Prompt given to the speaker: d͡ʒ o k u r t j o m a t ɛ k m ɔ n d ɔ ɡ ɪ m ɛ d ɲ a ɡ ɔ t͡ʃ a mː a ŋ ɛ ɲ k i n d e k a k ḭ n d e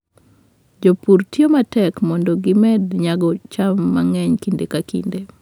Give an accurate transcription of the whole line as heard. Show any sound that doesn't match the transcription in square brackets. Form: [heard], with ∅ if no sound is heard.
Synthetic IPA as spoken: d͡ʒ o [p] u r t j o m a t ɛ k m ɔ n d ɔ ɡ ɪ m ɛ d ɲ a ɡ ɔ t͡ʃ a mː a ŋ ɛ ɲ k i n d e k a k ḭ n d e